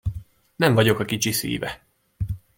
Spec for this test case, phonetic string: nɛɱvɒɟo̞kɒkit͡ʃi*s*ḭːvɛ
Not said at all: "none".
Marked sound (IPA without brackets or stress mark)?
s